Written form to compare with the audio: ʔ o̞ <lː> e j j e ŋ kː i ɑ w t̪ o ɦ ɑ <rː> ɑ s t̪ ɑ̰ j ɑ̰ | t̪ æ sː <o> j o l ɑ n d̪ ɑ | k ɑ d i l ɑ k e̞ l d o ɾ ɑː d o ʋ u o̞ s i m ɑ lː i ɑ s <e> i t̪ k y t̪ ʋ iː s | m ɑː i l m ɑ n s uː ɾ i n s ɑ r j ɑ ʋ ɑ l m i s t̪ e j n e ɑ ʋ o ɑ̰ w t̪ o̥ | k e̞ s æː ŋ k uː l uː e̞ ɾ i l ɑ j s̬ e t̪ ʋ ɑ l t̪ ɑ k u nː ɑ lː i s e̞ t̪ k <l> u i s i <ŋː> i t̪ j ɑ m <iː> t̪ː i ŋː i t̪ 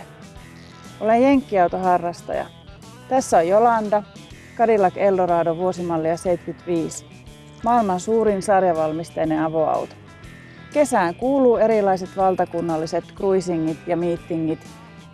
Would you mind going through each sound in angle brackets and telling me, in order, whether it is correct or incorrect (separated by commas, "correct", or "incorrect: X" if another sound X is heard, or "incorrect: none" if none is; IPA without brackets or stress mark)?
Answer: incorrect: l, correct, correct, correct, incorrect: r, correct, correct